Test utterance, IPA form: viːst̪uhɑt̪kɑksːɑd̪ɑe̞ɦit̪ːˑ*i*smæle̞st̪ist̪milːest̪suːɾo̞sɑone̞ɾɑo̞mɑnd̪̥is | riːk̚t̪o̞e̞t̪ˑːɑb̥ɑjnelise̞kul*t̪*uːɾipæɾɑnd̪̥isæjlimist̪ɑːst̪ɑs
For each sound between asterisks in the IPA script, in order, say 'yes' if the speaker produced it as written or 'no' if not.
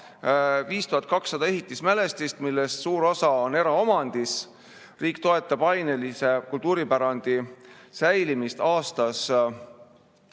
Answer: yes, yes

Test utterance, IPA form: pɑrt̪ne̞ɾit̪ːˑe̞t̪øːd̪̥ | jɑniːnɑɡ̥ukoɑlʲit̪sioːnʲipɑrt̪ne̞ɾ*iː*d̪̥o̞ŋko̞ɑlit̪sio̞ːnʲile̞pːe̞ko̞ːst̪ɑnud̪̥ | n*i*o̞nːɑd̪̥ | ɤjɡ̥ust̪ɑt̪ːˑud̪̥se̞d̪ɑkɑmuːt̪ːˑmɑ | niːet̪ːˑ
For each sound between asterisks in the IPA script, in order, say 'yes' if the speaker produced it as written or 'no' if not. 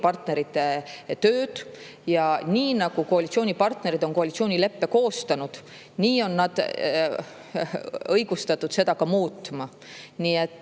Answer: no, no

